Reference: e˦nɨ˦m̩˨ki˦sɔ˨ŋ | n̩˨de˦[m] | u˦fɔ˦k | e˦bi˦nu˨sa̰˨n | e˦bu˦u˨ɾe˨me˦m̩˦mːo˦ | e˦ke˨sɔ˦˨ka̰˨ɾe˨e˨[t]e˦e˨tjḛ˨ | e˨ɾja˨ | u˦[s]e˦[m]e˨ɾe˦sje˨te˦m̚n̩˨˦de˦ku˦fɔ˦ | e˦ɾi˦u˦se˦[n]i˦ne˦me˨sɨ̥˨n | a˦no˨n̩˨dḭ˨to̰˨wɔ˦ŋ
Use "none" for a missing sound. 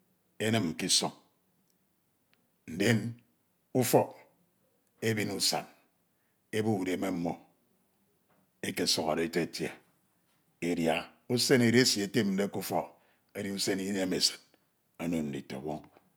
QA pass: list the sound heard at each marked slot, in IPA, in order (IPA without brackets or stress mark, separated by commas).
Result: n, t, s, n, n